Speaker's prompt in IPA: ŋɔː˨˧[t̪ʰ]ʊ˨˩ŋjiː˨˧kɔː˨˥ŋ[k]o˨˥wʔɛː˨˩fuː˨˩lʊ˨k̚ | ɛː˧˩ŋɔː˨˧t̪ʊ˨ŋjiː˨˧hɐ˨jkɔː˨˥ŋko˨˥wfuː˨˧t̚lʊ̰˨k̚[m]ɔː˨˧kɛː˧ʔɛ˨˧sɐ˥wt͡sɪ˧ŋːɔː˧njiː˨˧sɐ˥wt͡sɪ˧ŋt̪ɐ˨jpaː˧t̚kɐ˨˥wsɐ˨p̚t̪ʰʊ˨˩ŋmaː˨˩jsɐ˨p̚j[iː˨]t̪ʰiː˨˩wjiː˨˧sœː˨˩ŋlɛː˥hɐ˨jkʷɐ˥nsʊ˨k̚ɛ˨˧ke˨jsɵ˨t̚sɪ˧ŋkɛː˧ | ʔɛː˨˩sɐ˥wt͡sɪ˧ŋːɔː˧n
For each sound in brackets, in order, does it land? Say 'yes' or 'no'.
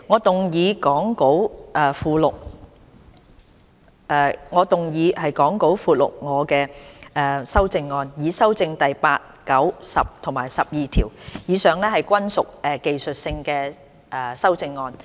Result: no, yes, no, yes

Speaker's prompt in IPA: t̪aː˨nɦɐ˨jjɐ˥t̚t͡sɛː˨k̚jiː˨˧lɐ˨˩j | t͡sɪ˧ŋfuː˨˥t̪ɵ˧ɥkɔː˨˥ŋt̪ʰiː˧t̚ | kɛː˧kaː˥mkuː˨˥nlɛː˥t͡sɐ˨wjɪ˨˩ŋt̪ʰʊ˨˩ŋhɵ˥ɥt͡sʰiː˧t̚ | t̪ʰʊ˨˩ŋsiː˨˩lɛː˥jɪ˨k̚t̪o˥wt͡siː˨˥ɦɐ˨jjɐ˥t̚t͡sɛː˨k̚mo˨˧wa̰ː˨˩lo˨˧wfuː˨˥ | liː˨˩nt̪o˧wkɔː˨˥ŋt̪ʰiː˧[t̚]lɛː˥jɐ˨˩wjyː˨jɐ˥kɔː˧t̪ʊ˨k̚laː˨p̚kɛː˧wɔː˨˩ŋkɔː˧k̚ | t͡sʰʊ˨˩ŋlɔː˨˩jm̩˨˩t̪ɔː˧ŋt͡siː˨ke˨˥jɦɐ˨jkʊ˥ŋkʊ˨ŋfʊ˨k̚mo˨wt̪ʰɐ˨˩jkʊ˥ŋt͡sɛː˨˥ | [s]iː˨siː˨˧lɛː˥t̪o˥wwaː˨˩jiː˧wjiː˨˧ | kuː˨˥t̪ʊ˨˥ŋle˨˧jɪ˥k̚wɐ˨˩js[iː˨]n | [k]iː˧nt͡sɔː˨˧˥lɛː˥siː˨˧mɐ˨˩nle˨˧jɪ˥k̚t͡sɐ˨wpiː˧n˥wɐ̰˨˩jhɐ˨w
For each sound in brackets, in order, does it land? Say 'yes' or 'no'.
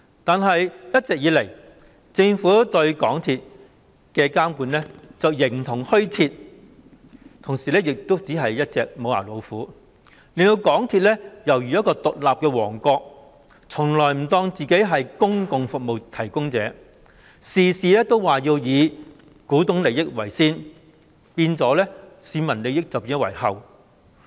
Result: yes, yes, no, no

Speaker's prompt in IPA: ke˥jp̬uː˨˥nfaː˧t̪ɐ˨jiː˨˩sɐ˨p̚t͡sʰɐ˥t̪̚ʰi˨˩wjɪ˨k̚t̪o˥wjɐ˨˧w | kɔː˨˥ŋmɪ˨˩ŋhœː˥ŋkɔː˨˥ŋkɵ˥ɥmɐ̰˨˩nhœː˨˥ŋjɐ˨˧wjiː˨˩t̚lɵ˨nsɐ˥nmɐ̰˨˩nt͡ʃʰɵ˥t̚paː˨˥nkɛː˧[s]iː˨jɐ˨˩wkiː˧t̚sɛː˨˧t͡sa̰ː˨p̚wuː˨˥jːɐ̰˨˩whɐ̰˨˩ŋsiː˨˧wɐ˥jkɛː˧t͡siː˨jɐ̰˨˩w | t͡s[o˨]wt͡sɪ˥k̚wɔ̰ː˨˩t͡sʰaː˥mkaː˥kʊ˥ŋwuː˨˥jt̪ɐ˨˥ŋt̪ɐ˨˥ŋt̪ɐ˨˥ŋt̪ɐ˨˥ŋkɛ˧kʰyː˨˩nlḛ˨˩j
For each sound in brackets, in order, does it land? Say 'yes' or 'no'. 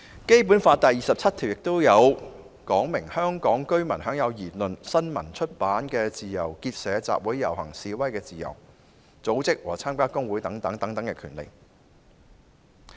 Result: no, no

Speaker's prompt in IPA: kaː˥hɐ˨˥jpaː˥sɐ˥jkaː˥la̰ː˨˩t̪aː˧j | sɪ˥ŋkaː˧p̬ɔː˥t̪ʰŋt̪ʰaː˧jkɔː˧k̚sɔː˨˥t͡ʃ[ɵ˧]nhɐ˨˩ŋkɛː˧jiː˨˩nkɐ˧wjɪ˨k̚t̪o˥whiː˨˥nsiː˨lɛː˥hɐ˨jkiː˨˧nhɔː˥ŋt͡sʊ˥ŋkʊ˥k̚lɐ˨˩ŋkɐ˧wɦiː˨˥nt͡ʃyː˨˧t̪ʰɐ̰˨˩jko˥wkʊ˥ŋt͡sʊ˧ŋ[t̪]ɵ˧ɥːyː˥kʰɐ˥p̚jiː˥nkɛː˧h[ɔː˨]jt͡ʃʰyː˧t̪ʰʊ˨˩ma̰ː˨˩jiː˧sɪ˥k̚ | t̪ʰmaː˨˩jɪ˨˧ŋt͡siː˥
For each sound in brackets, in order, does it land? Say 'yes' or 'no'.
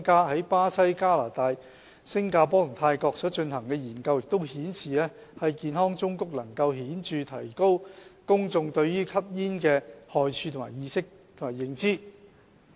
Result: yes, yes, yes

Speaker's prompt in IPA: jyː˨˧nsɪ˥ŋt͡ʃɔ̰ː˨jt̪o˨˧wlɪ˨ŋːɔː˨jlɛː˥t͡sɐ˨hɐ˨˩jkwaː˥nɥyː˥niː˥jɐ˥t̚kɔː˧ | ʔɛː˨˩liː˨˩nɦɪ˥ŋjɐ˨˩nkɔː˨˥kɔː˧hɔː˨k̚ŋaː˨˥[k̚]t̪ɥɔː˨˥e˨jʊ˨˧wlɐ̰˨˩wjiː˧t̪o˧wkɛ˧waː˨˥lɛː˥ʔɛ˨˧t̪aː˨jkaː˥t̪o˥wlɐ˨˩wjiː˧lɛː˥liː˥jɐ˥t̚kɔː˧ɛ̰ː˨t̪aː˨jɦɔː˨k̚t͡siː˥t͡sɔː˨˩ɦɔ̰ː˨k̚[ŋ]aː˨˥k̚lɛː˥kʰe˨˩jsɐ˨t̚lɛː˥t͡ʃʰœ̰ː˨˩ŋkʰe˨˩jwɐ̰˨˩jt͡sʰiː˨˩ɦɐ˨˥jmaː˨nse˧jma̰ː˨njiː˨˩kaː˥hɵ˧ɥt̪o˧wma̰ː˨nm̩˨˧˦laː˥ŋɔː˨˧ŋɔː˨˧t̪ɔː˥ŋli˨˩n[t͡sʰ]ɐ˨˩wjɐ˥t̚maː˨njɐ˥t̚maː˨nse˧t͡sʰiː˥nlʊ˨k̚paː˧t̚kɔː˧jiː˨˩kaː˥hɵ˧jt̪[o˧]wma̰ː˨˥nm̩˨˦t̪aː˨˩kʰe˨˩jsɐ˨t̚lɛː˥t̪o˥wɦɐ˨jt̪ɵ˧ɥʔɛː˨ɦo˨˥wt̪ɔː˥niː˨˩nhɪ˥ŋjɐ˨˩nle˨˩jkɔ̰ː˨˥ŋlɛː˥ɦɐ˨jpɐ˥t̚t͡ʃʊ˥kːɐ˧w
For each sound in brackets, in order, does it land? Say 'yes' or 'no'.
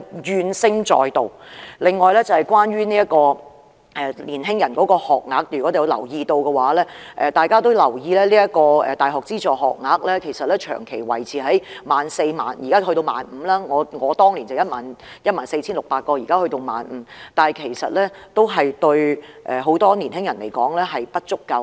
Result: yes, yes, no, yes

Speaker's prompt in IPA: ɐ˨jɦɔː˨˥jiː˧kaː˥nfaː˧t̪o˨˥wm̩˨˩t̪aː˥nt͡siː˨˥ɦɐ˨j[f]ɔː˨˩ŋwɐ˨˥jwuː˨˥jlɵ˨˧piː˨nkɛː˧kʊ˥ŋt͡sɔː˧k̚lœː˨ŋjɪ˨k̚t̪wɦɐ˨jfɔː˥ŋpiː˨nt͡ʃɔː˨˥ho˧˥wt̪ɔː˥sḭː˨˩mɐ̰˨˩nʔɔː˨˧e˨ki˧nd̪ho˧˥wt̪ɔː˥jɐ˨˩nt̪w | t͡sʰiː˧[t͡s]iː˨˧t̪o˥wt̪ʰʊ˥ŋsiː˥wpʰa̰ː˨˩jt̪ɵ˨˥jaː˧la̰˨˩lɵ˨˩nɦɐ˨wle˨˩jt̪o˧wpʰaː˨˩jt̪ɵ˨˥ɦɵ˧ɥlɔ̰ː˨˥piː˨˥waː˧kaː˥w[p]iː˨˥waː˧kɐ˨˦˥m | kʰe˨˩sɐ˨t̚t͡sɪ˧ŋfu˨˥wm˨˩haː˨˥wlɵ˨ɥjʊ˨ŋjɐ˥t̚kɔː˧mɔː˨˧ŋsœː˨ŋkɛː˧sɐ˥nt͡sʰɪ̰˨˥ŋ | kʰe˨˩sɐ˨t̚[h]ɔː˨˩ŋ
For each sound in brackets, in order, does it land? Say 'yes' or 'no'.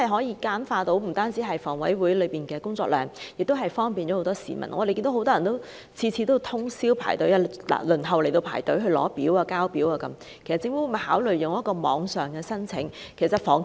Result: yes, no, yes, no

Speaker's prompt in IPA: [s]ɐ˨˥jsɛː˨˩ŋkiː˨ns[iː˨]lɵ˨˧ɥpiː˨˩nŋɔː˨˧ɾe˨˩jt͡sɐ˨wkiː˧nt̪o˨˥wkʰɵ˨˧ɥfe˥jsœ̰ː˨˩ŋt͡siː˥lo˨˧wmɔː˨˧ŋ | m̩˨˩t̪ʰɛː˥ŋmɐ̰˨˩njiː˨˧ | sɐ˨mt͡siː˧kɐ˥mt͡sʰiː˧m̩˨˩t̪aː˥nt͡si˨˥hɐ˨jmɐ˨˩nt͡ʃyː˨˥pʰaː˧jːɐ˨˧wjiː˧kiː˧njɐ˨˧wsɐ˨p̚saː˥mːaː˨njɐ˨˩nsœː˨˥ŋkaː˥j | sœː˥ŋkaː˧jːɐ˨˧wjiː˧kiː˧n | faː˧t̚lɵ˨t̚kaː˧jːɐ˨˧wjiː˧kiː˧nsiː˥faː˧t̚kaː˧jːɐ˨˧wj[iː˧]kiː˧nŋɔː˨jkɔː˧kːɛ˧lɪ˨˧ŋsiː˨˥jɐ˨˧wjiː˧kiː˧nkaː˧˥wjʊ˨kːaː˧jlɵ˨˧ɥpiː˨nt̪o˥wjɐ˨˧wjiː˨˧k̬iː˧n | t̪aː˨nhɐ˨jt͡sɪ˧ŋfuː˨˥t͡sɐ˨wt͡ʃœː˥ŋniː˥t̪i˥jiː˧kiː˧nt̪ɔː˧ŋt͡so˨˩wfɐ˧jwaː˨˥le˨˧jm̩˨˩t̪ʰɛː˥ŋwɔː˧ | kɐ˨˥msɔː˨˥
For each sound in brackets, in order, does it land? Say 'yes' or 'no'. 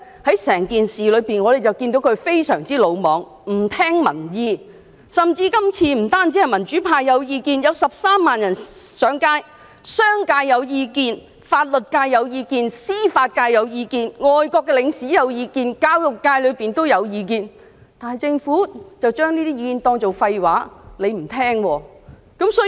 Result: no, yes, yes

